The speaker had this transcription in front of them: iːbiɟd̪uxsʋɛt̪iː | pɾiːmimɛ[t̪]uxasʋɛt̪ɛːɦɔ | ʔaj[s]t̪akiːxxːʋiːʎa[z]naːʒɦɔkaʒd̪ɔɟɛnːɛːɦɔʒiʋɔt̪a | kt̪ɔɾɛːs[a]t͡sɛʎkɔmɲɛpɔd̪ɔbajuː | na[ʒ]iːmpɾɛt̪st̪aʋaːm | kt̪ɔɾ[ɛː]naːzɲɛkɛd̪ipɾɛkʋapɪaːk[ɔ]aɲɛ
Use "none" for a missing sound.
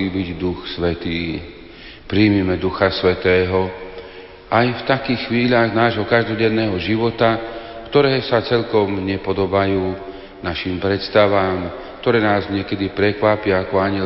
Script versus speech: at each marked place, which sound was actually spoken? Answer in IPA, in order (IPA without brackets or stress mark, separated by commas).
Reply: d̪, f, ɣ, a, ʃ, ɛː, ɔ